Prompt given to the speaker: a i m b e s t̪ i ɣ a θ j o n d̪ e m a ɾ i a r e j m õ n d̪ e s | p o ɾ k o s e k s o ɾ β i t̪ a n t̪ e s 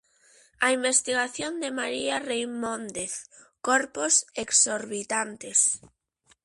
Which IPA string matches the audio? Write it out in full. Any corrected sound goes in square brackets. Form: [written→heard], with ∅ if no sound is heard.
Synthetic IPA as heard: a i m b e s t̪ i ɣ a θ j o n d̪ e m a ɾ i a r e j m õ n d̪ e [s→θ] | [p→k] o ɾ [k→p] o s e k s o ɾ β i t̪ a n t̪ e s